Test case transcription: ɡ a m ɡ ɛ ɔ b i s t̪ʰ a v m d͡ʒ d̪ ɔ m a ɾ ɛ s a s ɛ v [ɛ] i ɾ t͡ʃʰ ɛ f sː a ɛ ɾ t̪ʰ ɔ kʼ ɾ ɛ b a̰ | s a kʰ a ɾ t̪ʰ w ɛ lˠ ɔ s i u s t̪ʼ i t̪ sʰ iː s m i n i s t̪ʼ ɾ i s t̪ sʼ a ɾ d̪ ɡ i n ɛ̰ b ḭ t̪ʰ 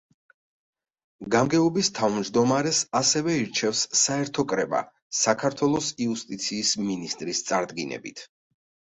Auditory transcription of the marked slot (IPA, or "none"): ɛ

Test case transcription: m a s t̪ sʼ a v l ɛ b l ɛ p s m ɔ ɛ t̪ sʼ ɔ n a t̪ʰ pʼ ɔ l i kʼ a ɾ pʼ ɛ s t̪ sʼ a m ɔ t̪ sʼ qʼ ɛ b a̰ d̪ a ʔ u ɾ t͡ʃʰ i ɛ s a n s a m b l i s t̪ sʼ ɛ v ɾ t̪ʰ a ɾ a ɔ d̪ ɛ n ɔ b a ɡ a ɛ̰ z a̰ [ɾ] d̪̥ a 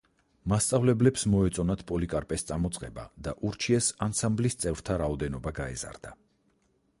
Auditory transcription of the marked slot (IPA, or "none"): ɾ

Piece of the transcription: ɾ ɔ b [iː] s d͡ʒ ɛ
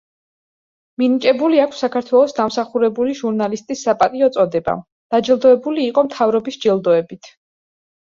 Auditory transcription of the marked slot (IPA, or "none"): i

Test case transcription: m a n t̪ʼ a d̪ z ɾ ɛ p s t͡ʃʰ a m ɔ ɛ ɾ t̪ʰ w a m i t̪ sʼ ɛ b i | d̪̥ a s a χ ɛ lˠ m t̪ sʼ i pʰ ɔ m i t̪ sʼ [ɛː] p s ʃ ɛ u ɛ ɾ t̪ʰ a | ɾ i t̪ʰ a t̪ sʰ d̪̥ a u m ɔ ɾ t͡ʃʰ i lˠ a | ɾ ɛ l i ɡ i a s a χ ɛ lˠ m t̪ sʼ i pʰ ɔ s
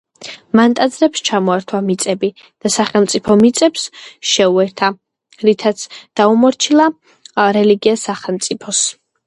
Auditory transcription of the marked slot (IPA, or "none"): ɛ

